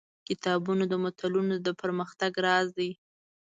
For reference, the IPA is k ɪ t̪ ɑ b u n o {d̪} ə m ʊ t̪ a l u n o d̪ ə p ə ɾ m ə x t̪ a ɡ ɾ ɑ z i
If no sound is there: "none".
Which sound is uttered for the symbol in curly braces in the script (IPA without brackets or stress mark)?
d̪